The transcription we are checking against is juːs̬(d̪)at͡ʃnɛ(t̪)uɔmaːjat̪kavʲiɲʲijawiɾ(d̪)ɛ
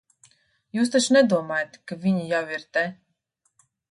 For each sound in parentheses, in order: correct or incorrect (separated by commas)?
incorrect, incorrect, incorrect